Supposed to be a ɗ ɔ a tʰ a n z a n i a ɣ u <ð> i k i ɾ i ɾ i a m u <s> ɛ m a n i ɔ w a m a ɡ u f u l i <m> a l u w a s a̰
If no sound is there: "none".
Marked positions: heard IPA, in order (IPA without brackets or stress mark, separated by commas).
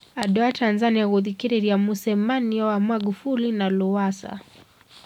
ð, s, n